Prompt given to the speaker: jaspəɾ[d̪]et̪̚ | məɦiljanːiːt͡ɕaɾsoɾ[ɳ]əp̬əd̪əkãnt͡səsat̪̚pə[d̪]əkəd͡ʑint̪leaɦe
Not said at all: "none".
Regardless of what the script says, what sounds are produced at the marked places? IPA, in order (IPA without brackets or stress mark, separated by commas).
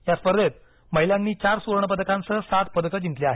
d̪, ɳ, d̪